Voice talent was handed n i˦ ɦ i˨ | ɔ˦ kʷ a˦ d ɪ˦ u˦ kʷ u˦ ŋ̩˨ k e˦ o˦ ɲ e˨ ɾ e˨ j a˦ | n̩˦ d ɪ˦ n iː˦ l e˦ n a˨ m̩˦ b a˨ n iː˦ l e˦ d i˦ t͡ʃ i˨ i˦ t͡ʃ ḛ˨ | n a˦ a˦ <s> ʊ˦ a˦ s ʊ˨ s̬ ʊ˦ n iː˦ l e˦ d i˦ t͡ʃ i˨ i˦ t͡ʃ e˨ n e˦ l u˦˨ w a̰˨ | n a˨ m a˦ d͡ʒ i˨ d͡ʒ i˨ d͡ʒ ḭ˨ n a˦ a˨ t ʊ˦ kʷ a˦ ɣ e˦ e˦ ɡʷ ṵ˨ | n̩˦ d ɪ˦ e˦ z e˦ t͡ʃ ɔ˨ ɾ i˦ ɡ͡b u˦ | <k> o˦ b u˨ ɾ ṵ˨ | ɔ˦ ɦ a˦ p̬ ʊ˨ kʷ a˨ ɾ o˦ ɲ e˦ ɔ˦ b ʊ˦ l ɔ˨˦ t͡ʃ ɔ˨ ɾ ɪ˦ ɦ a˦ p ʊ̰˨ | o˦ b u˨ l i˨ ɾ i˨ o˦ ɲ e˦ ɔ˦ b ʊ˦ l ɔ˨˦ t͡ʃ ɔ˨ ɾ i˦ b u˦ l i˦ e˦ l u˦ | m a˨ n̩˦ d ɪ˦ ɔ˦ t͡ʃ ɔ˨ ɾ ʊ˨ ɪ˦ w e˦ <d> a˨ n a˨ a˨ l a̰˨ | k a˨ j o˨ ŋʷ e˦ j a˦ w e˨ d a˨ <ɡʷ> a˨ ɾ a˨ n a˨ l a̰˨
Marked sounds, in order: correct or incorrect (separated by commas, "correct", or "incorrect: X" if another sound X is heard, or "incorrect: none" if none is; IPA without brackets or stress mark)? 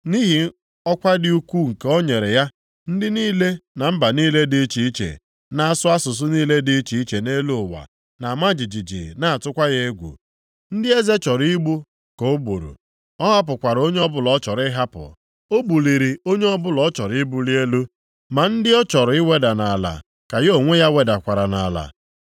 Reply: correct, correct, correct, incorrect: kʷ